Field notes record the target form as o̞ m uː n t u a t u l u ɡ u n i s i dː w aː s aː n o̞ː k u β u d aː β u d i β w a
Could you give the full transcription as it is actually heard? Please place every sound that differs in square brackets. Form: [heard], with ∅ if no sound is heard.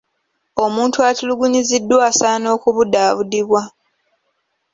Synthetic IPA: o̞ m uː n t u a t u l u ɡ u [ɲ] i [z] i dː w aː s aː n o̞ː k u β u d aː β u d i β w a

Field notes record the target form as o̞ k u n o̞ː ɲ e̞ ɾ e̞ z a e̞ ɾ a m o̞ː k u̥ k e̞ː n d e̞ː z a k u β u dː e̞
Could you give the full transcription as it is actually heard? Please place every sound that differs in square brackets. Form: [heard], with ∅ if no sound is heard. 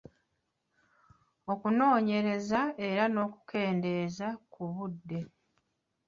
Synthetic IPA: o̞ k u n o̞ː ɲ e̞ ɾ e̞ z a e̞ ɾ a [n] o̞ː k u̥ k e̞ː n d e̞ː z a k u β u dː e̞

